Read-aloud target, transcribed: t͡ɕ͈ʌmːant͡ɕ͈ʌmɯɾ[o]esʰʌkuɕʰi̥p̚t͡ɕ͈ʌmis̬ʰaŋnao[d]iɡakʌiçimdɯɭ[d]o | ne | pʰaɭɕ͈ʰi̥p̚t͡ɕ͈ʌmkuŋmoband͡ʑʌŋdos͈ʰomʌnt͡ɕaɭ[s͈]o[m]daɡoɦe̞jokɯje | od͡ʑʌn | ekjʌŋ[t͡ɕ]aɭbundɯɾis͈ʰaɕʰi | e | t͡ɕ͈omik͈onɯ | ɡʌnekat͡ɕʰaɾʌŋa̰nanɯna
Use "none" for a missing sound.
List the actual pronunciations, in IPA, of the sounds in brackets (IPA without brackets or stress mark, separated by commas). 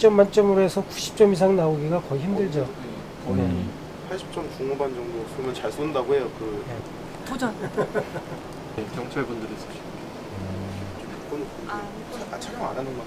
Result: o, ɡ, d͡ʑ, s͈, n, t͡ɕʰ